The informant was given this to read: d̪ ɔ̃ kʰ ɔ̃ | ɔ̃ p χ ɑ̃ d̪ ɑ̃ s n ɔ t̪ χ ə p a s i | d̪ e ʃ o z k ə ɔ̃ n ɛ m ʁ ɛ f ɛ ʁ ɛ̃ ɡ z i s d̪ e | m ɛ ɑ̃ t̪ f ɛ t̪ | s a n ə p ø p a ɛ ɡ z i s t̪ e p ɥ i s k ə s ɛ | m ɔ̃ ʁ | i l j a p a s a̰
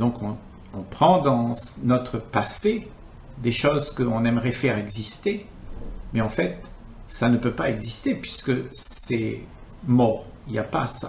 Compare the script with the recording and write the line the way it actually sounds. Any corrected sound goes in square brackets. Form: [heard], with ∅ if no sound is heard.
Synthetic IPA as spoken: d̪ ɔ̃ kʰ ɔ̃ | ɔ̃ p χ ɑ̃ d̪ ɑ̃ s n ɔ t̪ χ ə p a s [e] | d̪ e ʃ o z k ə ɔ̃ n ɛ m ʁ ɛ f ɛ ʁ [ɛ] ɡ z i s [t̪] e | m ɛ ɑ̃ [∅] f ɛ t̪ | s a n ə p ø p a ɛ ɡ z i s t̪ e p ɥ i s k ə s ɛ | m [ɔ] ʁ | i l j a p a s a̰